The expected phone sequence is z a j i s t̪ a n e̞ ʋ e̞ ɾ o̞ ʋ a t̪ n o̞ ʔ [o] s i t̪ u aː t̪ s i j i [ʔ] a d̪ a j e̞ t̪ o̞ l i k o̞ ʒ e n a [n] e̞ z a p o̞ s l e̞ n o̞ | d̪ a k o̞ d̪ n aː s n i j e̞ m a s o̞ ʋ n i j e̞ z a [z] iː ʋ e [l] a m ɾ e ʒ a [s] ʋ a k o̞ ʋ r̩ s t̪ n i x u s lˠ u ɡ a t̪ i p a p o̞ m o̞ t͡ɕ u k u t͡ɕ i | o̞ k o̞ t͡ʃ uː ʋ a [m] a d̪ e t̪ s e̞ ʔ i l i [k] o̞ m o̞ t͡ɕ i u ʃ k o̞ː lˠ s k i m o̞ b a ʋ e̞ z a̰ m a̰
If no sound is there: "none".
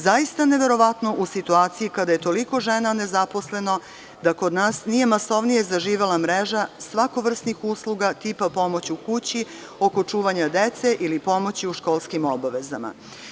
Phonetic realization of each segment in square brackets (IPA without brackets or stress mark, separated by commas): u, k, n, ʒ, l, s, ɲ, p